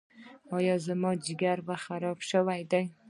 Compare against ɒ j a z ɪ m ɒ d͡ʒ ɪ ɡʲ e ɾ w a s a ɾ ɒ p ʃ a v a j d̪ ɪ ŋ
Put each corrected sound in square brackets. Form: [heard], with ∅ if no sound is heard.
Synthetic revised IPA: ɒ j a z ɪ m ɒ d͡ʒ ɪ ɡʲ [a] ɾ [v] a [χ] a ɾ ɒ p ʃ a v a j d̪ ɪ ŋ